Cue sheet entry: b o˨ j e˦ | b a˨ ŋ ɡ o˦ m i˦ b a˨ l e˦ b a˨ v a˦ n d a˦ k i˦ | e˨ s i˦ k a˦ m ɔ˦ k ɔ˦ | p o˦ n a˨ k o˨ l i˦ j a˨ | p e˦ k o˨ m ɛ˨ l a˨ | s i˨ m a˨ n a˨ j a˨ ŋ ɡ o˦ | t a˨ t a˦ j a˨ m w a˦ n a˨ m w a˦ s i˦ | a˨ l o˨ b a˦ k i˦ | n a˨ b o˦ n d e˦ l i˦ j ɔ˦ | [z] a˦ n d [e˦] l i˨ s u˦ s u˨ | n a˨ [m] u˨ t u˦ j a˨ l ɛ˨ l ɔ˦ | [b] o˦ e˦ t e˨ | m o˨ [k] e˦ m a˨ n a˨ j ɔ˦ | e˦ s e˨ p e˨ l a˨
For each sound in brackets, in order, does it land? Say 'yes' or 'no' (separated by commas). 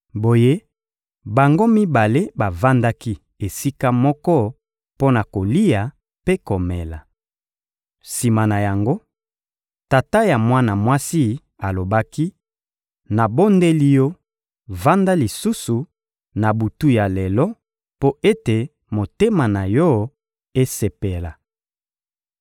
no, no, no, no, no